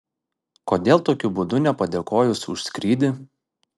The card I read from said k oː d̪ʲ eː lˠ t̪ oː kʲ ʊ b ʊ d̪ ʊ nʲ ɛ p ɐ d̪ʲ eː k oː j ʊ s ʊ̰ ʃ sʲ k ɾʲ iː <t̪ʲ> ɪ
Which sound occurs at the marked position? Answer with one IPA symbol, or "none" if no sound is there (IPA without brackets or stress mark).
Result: d̪ʲ